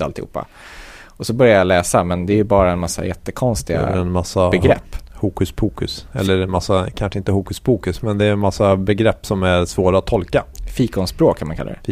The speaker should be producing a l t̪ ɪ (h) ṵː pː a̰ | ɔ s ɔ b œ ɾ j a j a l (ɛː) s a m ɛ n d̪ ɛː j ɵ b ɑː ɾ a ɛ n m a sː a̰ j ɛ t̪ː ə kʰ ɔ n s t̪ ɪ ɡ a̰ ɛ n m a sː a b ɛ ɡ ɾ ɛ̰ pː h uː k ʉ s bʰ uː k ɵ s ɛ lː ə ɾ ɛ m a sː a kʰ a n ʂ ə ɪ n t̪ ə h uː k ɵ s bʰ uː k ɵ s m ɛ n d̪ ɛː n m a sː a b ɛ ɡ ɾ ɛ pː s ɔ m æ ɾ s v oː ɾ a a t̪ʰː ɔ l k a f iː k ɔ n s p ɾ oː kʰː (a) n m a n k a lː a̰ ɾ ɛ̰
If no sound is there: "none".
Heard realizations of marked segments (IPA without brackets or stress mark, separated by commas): h, ɛː, a